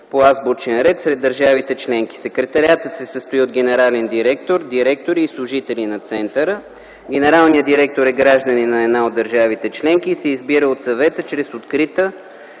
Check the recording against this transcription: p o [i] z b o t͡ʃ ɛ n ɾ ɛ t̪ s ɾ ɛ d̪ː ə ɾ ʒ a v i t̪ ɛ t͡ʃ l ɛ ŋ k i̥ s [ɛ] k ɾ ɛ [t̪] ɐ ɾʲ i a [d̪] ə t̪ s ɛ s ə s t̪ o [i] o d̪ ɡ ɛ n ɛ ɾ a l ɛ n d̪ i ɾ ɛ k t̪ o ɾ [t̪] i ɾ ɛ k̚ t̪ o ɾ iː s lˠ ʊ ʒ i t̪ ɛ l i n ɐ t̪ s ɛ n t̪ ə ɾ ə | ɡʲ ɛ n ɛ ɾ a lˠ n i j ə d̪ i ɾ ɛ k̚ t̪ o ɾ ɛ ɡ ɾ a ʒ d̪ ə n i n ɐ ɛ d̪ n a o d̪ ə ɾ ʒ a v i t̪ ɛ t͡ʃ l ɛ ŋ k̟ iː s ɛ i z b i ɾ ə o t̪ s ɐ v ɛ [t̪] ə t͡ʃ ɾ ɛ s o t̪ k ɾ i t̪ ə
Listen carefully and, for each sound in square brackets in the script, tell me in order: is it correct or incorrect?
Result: incorrect, correct, correct, incorrect, correct, incorrect, correct

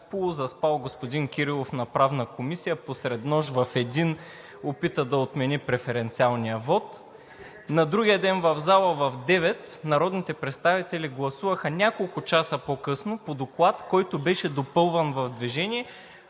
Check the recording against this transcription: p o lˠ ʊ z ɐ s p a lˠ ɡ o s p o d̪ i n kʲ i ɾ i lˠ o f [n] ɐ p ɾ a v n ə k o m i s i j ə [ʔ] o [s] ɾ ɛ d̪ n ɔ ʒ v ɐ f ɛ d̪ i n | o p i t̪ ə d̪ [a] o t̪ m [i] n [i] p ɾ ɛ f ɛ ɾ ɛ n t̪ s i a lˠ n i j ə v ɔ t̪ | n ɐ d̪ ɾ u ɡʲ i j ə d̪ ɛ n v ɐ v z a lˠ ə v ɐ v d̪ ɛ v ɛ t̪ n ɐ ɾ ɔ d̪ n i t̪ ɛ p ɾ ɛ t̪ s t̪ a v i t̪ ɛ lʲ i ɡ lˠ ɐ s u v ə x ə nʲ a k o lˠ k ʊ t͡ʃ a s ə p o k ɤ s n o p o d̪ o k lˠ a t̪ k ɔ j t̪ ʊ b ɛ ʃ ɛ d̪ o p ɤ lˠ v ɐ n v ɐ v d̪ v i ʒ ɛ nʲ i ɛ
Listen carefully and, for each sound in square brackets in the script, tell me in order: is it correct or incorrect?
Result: correct, incorrect, correct, incorrect, incorrect, correct

